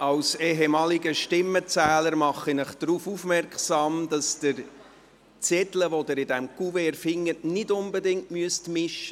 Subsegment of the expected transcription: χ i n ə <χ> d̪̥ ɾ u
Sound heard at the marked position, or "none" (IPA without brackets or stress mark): χ